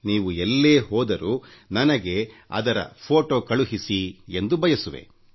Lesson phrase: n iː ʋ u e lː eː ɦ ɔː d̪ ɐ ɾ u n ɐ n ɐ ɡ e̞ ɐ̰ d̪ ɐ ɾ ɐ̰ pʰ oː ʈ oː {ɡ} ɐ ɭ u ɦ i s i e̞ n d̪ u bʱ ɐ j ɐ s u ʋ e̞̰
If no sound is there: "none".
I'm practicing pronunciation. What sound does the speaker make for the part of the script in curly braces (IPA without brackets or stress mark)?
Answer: k